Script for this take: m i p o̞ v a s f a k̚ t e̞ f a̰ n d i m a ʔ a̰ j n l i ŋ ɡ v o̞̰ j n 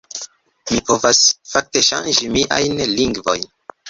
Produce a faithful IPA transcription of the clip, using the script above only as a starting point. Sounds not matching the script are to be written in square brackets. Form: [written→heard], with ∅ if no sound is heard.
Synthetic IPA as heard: m i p o̞ v a s f a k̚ t e̞ [f→ʃ] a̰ n [d→d͡ʒ] i m [a→i] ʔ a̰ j n l i ŋ ɡ v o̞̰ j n